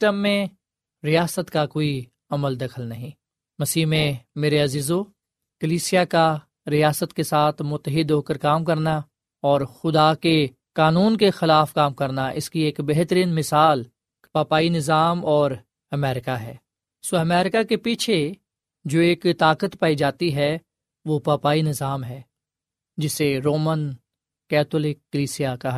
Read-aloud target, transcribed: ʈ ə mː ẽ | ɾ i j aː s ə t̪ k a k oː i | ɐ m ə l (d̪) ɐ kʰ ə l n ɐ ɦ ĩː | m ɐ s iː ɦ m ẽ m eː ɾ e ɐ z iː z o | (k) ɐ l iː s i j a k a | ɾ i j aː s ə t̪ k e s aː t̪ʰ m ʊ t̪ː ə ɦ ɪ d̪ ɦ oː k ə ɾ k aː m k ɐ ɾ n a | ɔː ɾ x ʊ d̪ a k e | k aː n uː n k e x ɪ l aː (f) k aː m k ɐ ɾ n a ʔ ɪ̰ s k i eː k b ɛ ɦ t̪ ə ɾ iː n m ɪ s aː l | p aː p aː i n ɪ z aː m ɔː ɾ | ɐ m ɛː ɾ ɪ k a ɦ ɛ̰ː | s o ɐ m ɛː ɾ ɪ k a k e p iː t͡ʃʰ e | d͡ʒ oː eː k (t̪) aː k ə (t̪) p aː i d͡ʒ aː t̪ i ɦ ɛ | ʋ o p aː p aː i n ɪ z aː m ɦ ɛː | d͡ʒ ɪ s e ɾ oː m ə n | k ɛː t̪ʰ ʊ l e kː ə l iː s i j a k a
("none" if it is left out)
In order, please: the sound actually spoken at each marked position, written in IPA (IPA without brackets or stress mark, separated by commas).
d̪, k, f, t̪, t̪